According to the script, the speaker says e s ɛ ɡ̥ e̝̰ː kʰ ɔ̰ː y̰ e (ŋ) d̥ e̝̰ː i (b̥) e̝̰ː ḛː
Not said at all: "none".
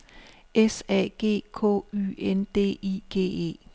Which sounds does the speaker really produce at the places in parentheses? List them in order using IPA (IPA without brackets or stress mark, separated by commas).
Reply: n, ɡ̥